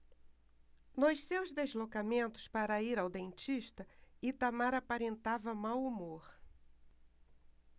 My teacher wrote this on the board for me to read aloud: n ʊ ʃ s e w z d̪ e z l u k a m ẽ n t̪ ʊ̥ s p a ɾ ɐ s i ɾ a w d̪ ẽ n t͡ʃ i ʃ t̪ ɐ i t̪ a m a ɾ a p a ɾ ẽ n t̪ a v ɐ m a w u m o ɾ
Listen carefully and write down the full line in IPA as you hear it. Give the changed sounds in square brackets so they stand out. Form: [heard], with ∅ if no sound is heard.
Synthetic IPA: n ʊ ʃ s e w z d̪ e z l [o] k a m ẽ n t̪ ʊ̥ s p a ɾ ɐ [∅] i ɾ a w d̪ ẽ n t͡ʃ i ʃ t̪ ɐ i t̪ a m a ɾ a p a ɾ ẽ n t̪ a v ɐ m a w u m o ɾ